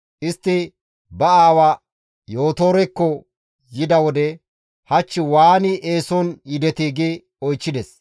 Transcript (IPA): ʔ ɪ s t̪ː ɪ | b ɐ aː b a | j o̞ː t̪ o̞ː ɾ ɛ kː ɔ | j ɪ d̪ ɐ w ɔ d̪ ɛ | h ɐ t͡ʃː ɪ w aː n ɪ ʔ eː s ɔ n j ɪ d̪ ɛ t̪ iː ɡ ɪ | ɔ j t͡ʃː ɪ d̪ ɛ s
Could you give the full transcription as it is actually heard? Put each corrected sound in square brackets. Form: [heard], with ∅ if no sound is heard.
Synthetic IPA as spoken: ʔ ɪ s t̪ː ɪ | b ɐ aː [w] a | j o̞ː t̪ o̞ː ɾ ɛ kː ɔ | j ɪ d̪ ɐ w ɔ d̪ ɛ | h ɐ t͡ʃː ɪ w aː n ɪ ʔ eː s ɔ n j ɪ d̪ ɛ t̪ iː ɡ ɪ | ɔ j t͡ʃː ɪ d̪ ɛ s